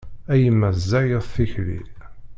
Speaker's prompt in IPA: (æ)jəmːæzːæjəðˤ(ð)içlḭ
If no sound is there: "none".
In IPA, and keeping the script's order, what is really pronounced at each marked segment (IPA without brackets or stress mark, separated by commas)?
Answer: æ, θ